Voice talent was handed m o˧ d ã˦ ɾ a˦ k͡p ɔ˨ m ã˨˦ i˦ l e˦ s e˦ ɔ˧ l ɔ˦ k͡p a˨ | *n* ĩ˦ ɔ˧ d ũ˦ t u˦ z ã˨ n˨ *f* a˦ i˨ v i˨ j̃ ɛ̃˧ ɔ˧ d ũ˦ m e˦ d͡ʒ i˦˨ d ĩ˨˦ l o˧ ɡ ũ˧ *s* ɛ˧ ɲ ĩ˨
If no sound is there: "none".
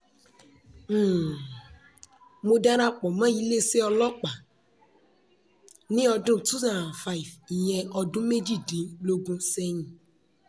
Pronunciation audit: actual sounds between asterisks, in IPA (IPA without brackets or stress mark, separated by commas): n, f, s